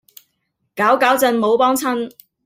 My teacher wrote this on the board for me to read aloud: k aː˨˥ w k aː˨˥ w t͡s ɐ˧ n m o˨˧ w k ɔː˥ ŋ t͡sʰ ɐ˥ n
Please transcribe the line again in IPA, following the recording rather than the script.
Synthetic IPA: k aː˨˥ w k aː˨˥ w t͡s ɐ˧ n m o˨˧ w p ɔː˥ ŋ t͡sʰ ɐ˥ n

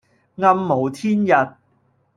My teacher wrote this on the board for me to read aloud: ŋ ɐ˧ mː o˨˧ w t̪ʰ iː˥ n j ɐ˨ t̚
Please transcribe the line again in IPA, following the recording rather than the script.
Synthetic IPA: ŋ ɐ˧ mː o˨˧ w t̪ʰ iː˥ n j ɐ˨ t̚

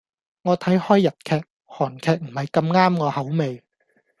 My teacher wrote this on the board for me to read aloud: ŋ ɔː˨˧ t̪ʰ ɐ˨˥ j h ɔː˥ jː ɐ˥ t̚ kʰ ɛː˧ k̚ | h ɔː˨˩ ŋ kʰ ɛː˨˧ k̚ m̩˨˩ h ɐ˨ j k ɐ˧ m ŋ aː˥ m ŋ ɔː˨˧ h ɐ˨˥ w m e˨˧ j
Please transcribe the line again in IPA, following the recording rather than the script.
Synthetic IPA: ŋ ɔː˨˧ t̪ʰ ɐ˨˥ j h ɔː˥ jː ɐ˨ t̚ kʰ ɛː˧ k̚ | h ɔː˨˩ n kʰ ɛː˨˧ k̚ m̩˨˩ h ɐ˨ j k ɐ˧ m ŋ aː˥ m ŋ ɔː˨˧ h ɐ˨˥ w m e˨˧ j

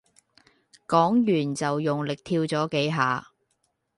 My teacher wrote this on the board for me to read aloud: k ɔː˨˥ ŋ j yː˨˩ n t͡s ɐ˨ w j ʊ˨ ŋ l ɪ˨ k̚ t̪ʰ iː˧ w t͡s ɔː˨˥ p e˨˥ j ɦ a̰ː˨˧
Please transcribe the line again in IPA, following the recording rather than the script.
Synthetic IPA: k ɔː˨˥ ŋ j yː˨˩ n t͡s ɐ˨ w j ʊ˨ ŋ l ɪ˨ k̚ t̪ʰ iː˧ w t͡s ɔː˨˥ k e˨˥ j ɦ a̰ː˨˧

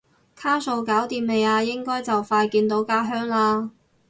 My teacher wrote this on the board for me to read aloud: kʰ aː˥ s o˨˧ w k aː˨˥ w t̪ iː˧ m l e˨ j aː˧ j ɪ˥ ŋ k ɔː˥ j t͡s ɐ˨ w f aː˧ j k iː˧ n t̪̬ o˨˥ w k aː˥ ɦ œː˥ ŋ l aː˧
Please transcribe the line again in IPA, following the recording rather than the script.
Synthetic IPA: kʰ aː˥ s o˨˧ w k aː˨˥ w t̪ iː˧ m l e˨ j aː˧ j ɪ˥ ŋ k ɔː˥ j t͡s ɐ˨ w f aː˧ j k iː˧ n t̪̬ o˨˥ w k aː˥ ɦ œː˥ ŋ l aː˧

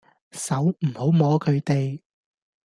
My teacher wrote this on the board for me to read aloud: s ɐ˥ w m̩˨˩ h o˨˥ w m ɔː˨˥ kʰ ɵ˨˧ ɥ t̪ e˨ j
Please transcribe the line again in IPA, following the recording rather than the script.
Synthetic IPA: s ɐ˨˥ w m̩˨˩ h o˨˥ w m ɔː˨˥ kʰ ɵ˨˧ ɥ t̪ e˨ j

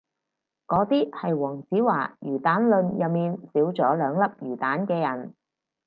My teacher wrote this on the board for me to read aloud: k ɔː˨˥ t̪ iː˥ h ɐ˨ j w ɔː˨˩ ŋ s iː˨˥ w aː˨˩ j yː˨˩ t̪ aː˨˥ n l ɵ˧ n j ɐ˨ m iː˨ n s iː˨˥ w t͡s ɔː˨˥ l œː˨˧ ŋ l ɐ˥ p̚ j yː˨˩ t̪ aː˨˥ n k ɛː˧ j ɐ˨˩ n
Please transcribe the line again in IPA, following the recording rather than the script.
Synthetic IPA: k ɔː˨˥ t̪ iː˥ h ɐ˨ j w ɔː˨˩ ŋ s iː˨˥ w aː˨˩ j yː˨˩ t̪ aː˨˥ n l ɵ˧ n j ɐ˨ m iː˨ n s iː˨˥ w t͡s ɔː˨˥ l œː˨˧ ŋ l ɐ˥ p̚ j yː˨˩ t̪ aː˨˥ n k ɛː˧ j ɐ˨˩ n

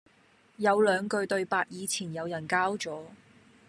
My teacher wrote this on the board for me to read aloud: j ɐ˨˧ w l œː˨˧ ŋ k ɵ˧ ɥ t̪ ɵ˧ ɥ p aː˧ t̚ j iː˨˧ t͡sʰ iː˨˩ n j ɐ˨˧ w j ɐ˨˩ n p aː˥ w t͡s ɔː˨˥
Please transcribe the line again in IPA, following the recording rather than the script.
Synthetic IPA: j ɐ˨˧ w l œː˨˧ ŋ k ɵ˧ ɥ t̪ ɵ˧ ɥ p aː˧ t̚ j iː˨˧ t͡sʰ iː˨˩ n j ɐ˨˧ w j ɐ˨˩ n k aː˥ w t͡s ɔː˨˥

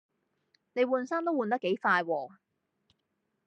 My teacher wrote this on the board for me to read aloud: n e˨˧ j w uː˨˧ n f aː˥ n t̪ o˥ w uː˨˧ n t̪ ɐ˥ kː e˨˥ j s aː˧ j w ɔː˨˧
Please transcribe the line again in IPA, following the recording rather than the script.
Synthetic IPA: n e˨˧ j w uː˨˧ n s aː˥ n t̪ o˥ w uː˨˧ n t̪ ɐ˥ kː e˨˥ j f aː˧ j w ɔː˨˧

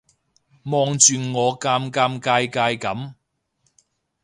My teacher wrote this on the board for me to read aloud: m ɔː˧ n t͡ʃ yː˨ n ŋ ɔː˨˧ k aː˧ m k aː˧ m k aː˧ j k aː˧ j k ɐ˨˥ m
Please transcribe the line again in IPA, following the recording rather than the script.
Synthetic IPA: m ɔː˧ ŋ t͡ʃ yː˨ n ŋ ɔː˨˧ k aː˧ m k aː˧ m k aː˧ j k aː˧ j k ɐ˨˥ m

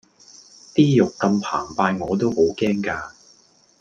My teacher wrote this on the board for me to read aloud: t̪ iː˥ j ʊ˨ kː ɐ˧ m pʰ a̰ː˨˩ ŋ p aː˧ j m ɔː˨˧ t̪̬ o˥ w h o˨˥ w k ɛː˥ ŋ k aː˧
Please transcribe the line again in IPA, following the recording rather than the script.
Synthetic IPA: t̪ iː˥ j ʊ˨ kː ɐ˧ m pʰ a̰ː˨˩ ŋ p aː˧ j ŋ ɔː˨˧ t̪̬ o˥ w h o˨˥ w k ɛː˥ ŋ k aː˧

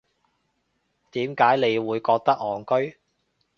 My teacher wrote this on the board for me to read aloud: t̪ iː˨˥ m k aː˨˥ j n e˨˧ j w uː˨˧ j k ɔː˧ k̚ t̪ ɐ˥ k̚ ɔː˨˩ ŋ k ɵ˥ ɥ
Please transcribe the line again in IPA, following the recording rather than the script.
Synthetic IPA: t̪ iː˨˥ m k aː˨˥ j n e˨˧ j w uː˨˧ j k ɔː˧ k̚ t̪ ɐ˥ k̚ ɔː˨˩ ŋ k ɵ˥ ɥ

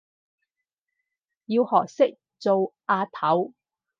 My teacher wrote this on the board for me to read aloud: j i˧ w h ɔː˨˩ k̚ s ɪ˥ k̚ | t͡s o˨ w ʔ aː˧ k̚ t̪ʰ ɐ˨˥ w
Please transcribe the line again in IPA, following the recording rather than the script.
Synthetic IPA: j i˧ w h ɔː˨˩ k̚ s ɪ˥ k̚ | t͡s o˨ w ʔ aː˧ t̪ʰ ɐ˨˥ w

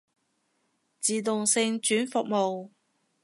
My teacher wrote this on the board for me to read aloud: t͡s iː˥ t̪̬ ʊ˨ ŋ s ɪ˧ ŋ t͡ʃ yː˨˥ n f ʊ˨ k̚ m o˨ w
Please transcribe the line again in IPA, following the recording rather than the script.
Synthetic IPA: t͡s iː˨ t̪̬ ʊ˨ ŋ s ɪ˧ ŋ t͡ʃ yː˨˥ n f ʊ˨ k̚ m o˨ w

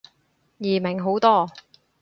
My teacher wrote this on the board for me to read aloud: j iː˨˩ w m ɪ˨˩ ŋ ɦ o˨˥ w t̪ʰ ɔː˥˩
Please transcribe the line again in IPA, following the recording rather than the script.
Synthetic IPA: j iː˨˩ m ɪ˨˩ ŋ ɦ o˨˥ w t̪ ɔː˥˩

